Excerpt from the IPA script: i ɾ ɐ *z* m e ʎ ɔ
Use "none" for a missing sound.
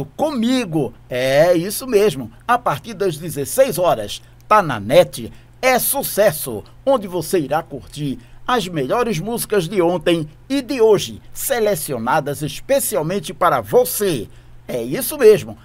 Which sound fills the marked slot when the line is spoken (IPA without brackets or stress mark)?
z